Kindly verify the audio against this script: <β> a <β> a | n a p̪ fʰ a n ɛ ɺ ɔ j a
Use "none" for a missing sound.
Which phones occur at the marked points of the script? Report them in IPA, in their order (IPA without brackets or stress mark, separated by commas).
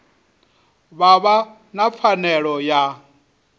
β, β